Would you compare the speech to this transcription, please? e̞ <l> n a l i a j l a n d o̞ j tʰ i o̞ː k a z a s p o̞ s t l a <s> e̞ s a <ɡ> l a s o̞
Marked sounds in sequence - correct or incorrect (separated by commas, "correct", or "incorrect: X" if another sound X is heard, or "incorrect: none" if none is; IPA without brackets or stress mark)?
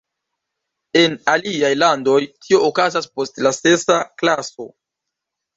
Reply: incorrect: none, correct, incorrect: k